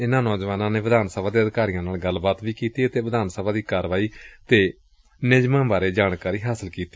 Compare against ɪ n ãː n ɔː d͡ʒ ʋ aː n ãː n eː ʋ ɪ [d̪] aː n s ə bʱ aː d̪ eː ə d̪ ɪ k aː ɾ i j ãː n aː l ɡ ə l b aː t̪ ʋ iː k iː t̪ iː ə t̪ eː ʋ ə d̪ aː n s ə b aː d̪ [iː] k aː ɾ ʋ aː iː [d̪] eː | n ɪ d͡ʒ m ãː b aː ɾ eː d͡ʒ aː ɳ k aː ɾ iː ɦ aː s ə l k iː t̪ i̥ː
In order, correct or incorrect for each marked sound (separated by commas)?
correct, correct, incorrect